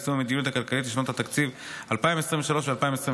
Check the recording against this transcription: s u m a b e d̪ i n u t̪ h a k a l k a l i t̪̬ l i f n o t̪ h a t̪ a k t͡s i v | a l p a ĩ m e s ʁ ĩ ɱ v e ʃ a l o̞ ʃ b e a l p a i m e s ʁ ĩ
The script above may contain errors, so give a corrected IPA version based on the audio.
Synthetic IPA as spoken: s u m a m e d̪ i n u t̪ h a k a l k a l i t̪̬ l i ʃ n o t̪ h a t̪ a k t͡s i v | a l p a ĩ m e s ʁ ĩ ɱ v e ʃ a l o̞ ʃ v e a l p a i m e s ʁ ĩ